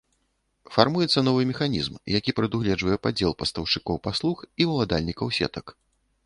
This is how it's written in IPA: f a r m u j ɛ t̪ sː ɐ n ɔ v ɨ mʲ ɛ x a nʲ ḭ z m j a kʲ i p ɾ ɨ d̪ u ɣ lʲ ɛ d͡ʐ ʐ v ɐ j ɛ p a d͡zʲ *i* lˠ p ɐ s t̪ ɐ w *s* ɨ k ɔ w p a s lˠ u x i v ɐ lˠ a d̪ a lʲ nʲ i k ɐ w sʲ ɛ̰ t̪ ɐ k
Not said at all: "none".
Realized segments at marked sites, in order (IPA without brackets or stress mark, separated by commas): ɛ, ʂ